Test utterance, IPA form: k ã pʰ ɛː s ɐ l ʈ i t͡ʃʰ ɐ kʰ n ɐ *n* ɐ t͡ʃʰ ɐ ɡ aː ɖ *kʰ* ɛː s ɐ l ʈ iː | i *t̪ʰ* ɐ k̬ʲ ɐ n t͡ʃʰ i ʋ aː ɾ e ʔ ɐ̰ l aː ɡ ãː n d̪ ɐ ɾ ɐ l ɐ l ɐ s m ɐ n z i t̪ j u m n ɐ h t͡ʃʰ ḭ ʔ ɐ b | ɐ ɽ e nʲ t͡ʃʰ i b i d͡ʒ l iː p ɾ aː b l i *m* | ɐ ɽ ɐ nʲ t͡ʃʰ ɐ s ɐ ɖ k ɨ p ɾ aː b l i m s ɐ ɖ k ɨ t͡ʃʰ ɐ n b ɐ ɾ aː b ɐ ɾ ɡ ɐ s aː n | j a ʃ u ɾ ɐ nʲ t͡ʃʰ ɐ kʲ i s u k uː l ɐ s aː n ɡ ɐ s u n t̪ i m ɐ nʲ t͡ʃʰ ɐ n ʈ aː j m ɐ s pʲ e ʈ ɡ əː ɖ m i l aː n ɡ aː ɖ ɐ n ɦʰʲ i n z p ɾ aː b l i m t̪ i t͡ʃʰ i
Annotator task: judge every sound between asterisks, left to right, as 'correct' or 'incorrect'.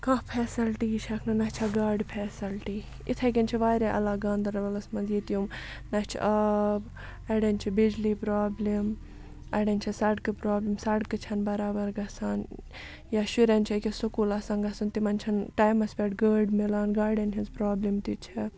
correct, incorrect, correct, correct

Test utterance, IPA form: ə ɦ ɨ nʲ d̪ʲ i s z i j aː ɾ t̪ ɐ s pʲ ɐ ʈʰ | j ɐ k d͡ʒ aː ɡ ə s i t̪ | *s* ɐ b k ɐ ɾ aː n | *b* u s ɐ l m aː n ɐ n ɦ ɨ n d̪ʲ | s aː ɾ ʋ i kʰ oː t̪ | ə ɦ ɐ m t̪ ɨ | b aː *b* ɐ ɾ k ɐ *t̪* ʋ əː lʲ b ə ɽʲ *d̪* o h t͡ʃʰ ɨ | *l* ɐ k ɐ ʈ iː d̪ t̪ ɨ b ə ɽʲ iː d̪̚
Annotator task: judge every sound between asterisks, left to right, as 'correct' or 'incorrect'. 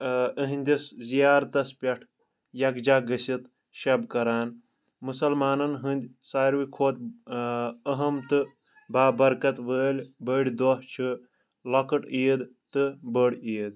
incorrect, incorrect, correct, correct, correct, correct

